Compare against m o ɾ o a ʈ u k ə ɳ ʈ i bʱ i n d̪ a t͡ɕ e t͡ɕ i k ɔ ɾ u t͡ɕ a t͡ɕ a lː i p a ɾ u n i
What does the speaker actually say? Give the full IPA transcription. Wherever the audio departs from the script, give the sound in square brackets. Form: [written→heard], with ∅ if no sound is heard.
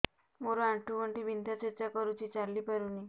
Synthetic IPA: m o ɾ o a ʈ u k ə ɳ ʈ i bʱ i n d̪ a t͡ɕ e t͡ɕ [i→a] k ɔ ɾ u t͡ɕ [a→i] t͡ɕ a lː i p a ɾ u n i